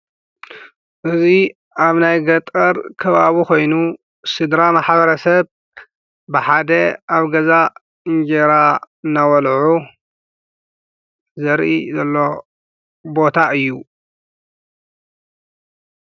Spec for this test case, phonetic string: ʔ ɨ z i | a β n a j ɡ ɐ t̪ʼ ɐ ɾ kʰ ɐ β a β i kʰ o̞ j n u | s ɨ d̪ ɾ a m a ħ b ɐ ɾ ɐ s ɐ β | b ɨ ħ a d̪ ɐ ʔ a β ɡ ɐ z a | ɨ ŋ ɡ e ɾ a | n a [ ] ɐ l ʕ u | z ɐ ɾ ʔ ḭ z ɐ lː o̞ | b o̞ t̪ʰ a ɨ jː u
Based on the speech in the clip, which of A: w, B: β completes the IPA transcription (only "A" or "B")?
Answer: A